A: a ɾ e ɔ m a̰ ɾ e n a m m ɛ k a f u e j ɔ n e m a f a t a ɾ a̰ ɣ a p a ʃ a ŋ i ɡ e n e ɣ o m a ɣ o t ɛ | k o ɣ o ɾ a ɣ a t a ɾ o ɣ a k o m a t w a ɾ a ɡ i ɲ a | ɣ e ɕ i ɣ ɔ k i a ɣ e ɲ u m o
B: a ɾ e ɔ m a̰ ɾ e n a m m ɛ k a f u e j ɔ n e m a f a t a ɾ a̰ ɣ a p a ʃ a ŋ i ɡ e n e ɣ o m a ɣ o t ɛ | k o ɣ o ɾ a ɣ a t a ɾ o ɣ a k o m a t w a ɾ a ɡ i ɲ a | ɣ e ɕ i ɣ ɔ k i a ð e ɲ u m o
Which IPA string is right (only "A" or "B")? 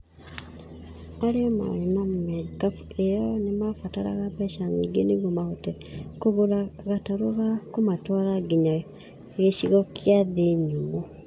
B